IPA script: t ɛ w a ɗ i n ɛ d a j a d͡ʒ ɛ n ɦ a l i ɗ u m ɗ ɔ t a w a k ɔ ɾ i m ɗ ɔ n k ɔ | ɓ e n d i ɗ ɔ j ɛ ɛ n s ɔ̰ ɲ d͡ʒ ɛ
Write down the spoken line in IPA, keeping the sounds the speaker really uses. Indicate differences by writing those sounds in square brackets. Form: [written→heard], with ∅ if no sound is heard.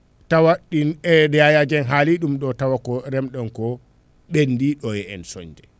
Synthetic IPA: t [ɛ→a] w a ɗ i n ɛ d a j a d͡ʒ ɛ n ɦ a l i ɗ u m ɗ ɔ t a w a k ɔ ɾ [i→ɛ] m ɗ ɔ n k ɔ | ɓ e n d i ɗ ɔ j ɛ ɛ n s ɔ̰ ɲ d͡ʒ ɛ